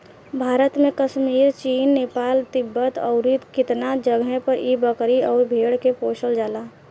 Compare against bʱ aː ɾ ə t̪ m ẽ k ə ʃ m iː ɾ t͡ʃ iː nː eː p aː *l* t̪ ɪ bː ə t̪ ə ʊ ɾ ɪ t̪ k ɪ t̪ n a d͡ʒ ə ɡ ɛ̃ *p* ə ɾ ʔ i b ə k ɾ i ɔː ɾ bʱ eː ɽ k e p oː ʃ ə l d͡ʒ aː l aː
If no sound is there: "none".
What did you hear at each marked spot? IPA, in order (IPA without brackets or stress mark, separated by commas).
l, p